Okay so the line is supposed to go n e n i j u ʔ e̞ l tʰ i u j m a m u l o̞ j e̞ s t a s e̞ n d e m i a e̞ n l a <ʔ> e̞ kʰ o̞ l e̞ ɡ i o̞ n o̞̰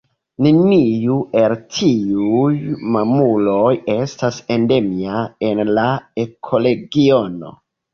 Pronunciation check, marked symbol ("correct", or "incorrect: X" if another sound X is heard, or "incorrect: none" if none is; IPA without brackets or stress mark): incorrect: none